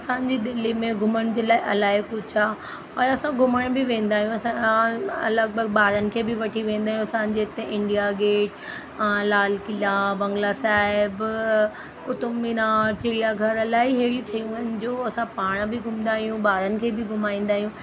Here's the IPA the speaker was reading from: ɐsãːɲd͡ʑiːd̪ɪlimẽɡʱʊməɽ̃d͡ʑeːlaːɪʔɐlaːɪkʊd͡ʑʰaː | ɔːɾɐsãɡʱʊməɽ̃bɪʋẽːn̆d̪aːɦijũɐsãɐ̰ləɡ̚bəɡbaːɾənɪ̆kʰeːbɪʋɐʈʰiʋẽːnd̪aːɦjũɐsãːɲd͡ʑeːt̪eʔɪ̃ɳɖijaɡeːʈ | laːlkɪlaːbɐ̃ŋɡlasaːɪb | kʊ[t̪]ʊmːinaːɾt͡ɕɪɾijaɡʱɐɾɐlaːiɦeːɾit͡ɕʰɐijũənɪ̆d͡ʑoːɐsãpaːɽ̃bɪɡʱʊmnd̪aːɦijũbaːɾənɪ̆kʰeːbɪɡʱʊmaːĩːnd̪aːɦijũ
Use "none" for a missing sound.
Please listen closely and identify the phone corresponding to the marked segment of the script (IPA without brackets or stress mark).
t̪